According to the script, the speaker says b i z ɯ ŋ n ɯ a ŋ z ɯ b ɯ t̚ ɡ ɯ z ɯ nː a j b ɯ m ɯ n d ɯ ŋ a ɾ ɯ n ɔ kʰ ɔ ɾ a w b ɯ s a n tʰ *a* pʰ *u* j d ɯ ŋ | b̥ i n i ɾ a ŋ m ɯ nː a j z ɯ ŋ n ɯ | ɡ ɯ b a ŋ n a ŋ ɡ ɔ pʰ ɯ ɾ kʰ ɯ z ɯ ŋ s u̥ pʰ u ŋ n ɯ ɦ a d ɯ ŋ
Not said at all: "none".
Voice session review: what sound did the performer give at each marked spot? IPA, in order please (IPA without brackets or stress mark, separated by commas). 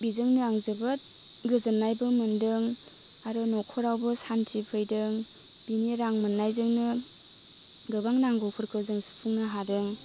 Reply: i, ɯ